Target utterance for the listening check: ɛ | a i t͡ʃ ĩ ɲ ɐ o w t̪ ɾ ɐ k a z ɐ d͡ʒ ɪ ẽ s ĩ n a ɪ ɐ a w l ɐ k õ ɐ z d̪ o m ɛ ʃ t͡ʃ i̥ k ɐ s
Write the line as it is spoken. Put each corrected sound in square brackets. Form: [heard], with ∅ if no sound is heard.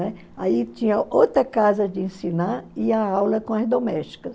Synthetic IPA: ɛ | a i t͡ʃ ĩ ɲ ɐ o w t̪ ɾ ɐ k a z ɐ d͡ʒ ɪ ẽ s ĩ n a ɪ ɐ a w l ɐ k õ ɐ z d̪ o m ɛ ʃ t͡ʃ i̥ k ɐ s